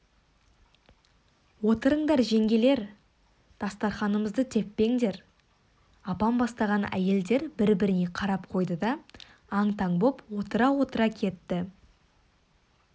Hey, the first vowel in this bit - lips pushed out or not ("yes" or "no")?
yes